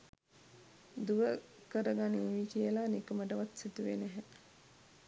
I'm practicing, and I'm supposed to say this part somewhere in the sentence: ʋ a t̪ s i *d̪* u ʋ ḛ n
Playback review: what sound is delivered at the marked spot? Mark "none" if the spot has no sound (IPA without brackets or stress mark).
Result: t̪